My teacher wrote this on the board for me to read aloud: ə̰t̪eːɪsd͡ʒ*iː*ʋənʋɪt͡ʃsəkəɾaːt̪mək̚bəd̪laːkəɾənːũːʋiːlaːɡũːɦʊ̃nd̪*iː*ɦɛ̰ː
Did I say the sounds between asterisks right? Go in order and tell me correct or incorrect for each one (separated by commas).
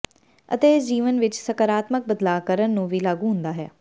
correct, incorrect